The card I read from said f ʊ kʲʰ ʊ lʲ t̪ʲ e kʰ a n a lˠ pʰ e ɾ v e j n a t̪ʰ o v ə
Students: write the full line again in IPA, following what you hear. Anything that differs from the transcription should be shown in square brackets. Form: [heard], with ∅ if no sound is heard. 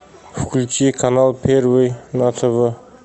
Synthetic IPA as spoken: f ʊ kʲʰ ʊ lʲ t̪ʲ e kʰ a n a lˠ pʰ e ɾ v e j n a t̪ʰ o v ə